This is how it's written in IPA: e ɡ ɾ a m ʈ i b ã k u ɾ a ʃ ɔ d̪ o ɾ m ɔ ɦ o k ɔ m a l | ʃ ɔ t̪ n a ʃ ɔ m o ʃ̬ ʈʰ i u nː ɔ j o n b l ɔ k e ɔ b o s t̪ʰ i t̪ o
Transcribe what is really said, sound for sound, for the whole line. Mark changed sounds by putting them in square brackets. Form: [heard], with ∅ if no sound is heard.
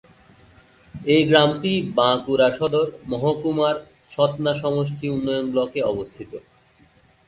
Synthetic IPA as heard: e ɡ ɾ a m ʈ i b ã k u ɾ a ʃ ɔ d̪ o ɾ m ɔ ɦ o k [u] m a [ɾ] | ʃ ɔ t̪ n a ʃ ɔ m o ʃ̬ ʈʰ i u nː ɔ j o n b l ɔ k e ɔ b o s t̪ʰ i t̪ o